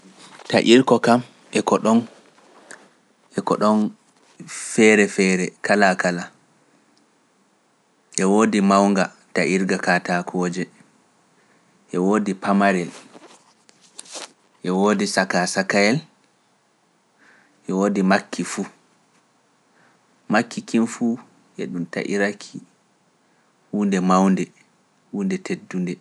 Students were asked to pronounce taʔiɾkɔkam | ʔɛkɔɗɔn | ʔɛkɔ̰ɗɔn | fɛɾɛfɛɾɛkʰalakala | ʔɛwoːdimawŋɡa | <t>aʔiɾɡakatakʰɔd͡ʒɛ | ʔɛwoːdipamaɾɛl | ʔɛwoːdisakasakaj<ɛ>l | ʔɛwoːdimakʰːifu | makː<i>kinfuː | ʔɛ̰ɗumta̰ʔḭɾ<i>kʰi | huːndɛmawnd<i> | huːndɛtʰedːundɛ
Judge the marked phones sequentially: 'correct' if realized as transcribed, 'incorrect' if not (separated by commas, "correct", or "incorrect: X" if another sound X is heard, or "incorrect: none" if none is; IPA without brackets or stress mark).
correct, correct, correct, incorrect: a, incorrect: ɛ